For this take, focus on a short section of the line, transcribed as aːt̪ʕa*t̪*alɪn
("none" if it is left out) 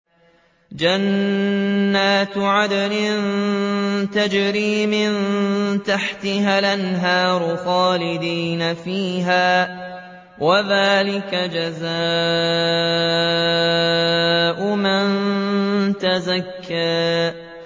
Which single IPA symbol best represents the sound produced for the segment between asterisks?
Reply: d̪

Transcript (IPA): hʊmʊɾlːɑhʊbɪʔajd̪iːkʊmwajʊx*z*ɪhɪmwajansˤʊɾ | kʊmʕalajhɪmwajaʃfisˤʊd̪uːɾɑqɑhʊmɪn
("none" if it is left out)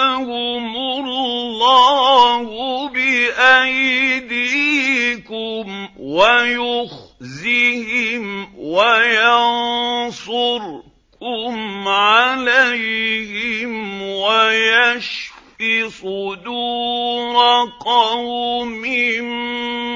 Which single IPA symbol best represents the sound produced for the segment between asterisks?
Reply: z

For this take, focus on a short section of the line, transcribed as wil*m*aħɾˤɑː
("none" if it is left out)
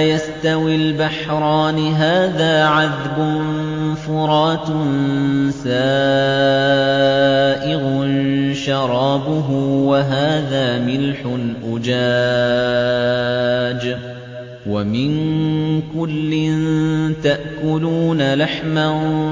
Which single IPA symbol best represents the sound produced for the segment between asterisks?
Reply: b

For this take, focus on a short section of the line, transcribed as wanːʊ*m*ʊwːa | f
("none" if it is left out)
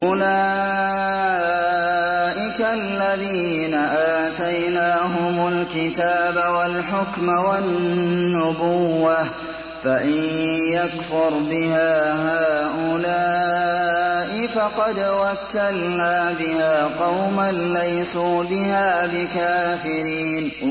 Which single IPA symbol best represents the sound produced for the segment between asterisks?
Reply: b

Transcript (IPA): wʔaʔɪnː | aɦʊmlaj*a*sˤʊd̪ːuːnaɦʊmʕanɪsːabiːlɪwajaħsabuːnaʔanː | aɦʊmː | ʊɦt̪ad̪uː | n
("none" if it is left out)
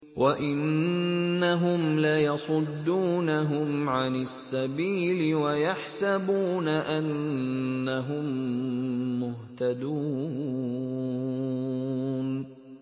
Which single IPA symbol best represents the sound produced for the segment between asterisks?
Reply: ɑ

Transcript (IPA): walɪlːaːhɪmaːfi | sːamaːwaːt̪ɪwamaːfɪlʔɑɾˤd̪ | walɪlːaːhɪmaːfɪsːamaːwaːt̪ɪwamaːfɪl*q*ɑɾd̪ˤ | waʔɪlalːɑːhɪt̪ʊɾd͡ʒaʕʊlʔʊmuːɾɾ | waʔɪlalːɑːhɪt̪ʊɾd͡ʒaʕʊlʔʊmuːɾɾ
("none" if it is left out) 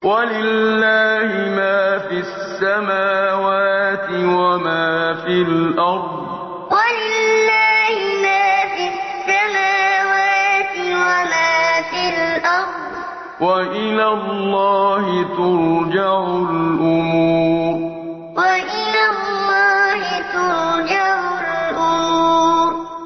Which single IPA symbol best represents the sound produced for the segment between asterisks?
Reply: ʔ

